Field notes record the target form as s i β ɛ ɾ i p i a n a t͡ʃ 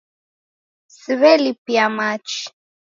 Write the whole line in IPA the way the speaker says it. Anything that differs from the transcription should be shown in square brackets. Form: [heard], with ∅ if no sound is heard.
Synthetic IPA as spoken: s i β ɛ [l] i p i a [m] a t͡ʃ

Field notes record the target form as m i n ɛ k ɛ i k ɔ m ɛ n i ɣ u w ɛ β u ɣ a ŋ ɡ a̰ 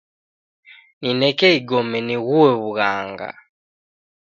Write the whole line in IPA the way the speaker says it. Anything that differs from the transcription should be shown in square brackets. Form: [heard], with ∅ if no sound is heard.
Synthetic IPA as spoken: [n] i n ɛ k ɛ i [ɡ] ɔ m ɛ n i ɣ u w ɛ β u ɣ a ŋ ɡ a̰

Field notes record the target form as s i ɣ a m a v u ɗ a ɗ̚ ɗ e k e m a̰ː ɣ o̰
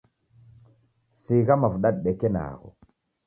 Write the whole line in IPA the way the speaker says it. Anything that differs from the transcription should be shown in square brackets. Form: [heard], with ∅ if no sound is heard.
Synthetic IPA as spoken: s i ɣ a m a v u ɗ a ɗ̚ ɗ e k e [n] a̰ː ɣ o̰

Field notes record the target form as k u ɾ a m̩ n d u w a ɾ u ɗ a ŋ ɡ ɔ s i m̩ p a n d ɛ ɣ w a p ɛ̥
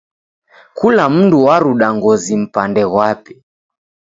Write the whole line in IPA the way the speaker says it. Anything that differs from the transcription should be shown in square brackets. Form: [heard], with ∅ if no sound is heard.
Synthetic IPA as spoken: k u [l] a m̩ n d u w a ɾ u ɗ a ŋ ɡ ɔ [z] i m̩ p a n d ɛ ɣ w a p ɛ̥

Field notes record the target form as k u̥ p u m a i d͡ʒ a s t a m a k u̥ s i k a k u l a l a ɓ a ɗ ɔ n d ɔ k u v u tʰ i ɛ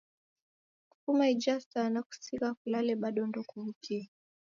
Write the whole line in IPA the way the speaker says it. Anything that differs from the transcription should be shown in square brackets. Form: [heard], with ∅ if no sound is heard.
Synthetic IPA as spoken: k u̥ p u m a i d͡ʒ a s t a [n] a k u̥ s i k a k u l a l [ɛ] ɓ a ɗ ɔ n d ɔ k u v u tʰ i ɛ

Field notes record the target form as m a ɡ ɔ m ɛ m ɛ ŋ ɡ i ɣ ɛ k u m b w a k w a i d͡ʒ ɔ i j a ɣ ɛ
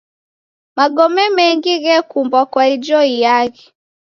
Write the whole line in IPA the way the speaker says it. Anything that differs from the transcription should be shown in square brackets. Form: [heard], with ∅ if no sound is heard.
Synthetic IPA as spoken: m a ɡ ɔ m ɛ m ɛ ŋ ɡ i ɣ ɛ k u m b w a k w a i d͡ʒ ɔ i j a ɣ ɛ

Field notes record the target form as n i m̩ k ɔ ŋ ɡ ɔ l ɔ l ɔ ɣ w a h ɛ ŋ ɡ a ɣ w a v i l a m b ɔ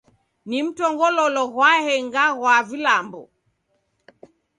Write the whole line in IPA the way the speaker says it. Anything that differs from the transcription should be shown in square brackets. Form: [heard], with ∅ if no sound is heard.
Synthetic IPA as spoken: n i m̩ [t] ɔ ŋ ɡ ɔ l ɔ l ɔ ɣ w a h ɛ ŋ ɡ a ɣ w a v i l a m b ɔ

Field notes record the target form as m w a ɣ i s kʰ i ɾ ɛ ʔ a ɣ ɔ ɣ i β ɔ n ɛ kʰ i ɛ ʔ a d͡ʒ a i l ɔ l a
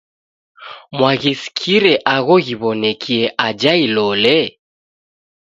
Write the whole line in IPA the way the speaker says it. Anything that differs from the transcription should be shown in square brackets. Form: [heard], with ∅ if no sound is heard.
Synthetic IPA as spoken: m w a ɣ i s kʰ i ɾ ɛ ʔ a ɣ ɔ ɣ i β ɔ n ɛ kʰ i ɛ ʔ a d͡ʒ a i l ɔ l [ɛ]

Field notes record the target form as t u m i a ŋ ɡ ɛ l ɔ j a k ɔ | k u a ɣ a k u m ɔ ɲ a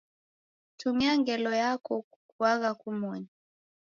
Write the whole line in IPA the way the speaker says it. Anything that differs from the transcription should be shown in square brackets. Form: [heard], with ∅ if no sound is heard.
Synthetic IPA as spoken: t u m i a ŋ ɡ ɛ l ɔ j a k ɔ | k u a ɣ a k u m ɔ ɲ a

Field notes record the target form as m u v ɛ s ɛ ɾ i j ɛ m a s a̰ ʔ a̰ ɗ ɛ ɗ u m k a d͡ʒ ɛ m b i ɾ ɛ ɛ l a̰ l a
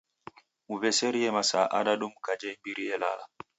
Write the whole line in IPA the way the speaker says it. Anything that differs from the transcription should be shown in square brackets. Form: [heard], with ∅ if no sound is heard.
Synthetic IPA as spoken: m u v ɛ s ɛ ɾ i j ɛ m a s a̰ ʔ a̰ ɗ [a] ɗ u m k a d͡ʒ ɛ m b i ɾ [i] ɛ l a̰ l a

